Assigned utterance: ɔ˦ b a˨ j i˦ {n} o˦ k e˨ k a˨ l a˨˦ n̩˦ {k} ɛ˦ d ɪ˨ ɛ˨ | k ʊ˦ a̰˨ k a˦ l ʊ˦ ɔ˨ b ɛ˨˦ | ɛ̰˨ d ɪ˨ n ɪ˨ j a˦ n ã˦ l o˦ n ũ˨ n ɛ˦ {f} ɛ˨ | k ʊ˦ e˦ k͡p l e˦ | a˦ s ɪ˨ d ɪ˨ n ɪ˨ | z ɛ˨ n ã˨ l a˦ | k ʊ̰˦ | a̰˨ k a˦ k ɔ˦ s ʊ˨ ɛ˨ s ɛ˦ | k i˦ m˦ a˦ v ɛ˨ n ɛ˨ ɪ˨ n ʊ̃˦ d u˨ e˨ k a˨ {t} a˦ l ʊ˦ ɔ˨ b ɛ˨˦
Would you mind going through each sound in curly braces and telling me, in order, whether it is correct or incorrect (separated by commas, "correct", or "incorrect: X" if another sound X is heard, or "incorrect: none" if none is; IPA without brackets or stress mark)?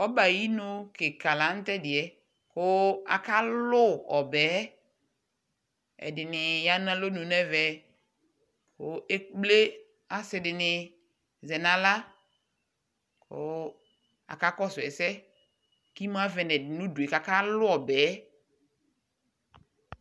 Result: correct, incorrect: t, incorrect: v, incorrect: k